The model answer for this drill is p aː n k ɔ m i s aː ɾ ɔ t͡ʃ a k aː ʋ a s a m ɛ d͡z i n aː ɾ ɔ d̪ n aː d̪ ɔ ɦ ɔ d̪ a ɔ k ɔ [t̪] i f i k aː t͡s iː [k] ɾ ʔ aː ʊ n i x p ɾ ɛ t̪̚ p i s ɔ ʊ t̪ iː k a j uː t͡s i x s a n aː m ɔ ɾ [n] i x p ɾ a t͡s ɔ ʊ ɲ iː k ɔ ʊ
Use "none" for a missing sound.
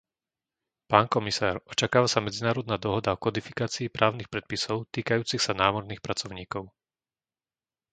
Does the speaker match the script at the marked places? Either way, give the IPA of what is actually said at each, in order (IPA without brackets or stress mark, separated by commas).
d̪, p, n